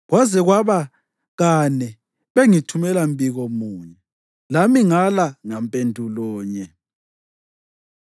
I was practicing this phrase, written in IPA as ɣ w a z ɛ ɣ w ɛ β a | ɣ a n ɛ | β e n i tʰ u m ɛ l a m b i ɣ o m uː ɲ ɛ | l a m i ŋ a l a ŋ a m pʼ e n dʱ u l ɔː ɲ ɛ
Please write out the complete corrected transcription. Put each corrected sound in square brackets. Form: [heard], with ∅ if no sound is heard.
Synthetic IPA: ɣ w a z ɛ ɣ w [a] β a | ɣ a n ɛ | β e [ŋ] i tʰ u m ɛ l a m b i ɣ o m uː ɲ ɛ | l a m i ŋ a l a ŋ a m pʼ e n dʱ u l ɔː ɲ ɛ